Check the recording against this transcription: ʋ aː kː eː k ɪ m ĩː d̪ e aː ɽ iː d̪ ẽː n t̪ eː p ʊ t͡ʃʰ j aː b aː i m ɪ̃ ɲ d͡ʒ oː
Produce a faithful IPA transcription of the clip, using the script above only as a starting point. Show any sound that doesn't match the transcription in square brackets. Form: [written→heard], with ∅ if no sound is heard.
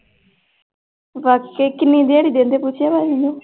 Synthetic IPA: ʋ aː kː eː k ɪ [m→n] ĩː d̪ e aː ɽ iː d̪ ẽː n [t̪→d̪] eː p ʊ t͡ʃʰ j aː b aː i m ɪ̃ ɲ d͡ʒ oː